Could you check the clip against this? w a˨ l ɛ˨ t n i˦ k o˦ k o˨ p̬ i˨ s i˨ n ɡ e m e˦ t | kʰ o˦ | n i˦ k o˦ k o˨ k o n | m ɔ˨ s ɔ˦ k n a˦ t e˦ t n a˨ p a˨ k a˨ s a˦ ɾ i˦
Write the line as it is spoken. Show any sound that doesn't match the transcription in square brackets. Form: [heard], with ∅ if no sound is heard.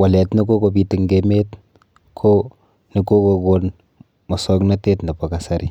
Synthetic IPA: w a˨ l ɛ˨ t n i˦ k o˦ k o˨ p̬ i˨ [t] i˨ [ŋ] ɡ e m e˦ t | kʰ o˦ | n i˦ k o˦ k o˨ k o n | m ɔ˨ s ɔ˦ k n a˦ t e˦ t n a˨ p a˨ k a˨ s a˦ ɾ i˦